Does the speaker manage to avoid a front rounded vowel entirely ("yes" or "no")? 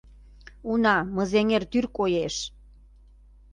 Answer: no